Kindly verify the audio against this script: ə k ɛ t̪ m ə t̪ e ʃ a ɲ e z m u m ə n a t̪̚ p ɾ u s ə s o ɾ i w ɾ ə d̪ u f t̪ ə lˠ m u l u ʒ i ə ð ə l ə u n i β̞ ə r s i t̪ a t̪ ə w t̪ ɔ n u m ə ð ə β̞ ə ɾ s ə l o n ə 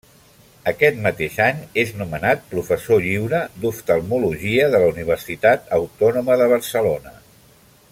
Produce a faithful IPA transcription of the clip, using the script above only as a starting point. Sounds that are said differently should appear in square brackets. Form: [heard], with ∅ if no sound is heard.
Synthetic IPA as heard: ə k ɛ t̪ m ə t̪ e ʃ a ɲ e z [n] u m ə n a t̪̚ p ɾ u [f] ə s o [ʎ] i w ɾ ə d̪ u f t̪ ə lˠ m u l u ʒ i ə ð ə l ə u n i β̞ ə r s i t̪ a t̪ ə w t̪ ɔ n u m ə ð ə β̞ ə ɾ s ə l o n ə